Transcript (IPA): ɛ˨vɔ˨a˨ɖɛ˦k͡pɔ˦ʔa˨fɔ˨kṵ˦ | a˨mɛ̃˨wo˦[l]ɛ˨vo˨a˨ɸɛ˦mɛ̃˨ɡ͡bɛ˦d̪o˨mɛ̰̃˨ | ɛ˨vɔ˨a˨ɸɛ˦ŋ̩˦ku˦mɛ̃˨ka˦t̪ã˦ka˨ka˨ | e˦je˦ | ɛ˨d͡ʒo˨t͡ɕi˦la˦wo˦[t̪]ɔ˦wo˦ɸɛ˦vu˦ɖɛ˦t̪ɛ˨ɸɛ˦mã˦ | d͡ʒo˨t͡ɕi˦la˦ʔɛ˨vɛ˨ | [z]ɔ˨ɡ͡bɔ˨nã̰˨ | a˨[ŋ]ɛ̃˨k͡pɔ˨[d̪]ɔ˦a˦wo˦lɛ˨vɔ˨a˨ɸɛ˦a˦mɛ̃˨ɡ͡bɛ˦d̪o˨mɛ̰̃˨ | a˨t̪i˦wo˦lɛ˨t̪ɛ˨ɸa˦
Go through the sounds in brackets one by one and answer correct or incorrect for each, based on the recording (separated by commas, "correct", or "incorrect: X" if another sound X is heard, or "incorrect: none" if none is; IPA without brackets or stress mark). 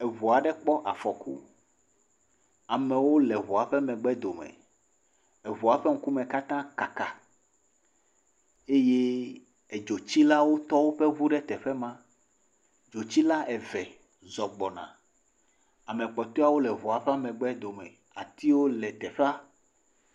correct, correct, correct, incorrect: m, incorrect: t̪